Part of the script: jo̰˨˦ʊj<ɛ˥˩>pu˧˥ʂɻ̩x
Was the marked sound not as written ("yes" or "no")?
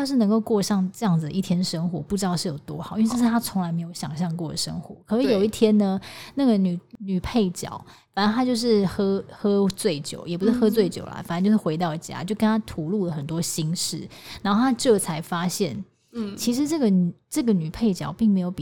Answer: yes